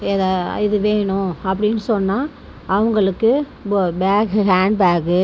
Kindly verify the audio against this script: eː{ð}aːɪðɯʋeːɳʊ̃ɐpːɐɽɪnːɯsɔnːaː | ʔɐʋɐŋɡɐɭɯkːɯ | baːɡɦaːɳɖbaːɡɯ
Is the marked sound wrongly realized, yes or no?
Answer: no